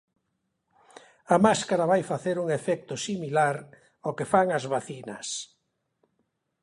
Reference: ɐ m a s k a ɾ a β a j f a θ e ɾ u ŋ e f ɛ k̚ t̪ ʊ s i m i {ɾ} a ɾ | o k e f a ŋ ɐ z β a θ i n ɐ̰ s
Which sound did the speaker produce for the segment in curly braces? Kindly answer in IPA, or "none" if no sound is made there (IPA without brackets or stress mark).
l